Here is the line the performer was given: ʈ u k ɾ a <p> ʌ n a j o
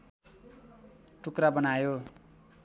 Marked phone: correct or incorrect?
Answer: incorrect